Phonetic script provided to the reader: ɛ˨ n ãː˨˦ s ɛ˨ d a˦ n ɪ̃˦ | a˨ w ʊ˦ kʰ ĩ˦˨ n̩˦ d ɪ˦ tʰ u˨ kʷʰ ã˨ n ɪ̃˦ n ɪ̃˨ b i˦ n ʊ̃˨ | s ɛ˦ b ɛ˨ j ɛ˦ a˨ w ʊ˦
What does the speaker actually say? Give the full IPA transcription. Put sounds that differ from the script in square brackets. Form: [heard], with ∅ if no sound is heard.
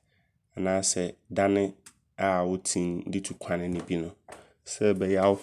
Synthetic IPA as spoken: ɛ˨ n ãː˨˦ s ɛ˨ d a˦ n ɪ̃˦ | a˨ w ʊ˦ [tʰ] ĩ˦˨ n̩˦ d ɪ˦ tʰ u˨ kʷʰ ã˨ n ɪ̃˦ n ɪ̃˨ b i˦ n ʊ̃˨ | s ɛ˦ b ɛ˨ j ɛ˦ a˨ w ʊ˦